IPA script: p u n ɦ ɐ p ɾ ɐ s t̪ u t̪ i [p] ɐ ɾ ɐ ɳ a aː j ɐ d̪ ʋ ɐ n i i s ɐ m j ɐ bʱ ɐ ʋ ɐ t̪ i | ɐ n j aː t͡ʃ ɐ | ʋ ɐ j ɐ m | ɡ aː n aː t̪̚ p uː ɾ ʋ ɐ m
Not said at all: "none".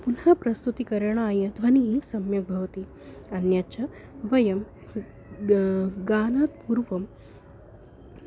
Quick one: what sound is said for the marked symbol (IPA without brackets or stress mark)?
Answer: k